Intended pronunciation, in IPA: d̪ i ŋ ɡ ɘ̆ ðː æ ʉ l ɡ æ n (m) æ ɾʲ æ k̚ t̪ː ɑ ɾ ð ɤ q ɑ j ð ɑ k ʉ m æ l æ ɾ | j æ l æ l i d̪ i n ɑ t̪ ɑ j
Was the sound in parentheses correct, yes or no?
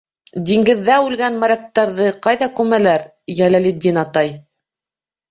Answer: yes